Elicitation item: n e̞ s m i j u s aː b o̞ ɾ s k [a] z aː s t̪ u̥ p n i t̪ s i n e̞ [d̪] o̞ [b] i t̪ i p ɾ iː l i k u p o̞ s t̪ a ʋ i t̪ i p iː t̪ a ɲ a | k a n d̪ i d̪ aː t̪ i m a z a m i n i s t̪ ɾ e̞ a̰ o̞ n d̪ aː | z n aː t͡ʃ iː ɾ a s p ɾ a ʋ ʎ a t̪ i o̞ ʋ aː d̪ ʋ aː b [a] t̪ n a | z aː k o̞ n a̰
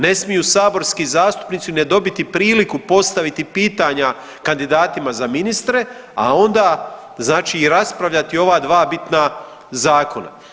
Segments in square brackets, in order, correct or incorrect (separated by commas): incorrect, correct, correct, incorrect